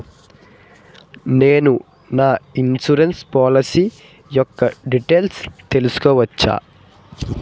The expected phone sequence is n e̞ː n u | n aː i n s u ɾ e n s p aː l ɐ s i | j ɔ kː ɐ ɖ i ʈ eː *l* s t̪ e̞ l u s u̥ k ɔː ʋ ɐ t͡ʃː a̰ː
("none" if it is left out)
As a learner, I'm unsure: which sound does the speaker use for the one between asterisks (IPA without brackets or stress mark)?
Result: l